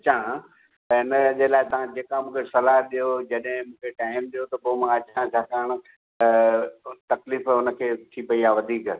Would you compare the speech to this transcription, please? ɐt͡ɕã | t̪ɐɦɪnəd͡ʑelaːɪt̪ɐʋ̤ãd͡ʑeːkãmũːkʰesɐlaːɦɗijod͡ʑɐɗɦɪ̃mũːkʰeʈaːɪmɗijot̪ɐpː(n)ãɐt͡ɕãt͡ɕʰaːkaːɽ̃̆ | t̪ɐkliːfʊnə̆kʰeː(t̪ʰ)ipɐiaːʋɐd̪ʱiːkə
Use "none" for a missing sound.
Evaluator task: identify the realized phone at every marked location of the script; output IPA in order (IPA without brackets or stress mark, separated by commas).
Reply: m, t̪ʰ